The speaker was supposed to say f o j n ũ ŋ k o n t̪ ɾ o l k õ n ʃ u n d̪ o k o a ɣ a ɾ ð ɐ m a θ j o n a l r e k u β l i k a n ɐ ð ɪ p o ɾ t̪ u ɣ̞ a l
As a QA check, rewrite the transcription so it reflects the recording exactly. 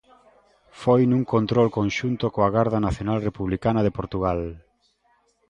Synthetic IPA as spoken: f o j n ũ ŋ k o n t̪ ɾ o l k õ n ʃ u n t̪ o k o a ɣ a ɾ ð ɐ n a θ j o n a l r e p u β l i k a n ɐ ð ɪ p o ɾ t̪ u ɣ̞ a l